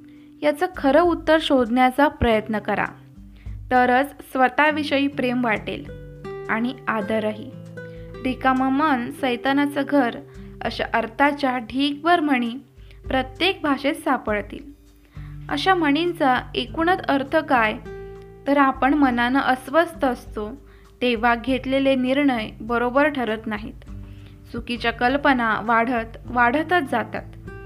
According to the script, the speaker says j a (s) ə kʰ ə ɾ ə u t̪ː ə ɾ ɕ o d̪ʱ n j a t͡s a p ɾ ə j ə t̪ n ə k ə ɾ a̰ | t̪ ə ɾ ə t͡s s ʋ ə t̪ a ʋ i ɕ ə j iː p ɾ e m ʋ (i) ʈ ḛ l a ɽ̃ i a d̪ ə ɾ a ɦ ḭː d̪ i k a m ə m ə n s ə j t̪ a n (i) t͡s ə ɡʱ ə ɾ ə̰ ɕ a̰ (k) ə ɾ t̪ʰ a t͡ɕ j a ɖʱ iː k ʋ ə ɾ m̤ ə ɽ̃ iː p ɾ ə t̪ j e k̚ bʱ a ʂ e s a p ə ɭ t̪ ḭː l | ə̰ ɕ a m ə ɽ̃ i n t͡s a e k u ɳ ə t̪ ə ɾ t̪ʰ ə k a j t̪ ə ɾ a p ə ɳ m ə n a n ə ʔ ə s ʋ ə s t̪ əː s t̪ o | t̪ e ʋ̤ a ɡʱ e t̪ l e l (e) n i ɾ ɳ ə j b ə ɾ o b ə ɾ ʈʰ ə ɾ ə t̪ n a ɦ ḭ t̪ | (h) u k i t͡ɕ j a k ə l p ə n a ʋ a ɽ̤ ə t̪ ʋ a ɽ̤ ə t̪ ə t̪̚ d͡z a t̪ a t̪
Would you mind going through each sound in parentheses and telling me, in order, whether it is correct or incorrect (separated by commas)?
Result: incorrect, incorrect, incorrect, incorrect, correct, incorrect